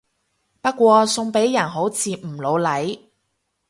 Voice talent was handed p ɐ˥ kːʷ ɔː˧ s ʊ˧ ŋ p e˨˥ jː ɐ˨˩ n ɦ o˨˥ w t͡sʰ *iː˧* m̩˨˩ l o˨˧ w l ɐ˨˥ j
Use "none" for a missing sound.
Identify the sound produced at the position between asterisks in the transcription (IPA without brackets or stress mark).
iː˧